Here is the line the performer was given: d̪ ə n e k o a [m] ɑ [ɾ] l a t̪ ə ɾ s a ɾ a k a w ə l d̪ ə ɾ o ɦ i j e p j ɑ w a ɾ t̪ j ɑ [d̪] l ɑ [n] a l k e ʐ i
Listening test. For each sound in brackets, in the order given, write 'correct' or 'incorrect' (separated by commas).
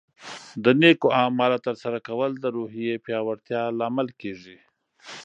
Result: correct, incorrect, incorrect, incorrect